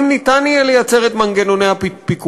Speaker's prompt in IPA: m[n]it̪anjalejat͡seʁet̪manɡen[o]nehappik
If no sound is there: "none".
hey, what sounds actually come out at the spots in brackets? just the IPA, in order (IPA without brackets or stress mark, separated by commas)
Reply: n, o